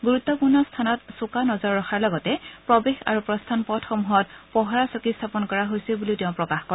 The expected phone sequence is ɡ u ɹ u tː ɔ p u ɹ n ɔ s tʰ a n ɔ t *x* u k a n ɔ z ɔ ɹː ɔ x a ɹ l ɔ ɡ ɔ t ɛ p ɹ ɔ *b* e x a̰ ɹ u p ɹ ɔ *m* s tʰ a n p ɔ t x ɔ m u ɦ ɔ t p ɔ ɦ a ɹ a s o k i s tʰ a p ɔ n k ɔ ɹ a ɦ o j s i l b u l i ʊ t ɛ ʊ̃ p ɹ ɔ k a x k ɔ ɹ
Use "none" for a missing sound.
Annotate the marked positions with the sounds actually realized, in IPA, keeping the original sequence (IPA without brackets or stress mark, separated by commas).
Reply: s, b, none